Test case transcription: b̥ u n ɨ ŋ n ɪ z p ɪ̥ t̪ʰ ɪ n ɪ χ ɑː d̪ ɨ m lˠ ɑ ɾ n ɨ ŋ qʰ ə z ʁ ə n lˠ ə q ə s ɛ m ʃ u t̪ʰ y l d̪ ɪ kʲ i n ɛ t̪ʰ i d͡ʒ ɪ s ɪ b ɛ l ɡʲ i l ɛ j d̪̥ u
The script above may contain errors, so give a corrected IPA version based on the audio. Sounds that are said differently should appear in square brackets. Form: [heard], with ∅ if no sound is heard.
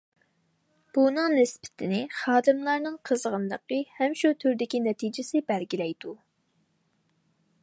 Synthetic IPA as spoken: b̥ u n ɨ ŋ n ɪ [s] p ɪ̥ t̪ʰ ɪ n ɪ χ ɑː d̪ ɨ m lˠ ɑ ɾ n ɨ ŋ qʰ ə z ʁ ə n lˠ ə q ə [h] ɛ m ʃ u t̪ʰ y [ɾ] d̪ ɪ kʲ i n ɛ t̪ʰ i d͡ʒ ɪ s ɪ b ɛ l ɡʲ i l ɛ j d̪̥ u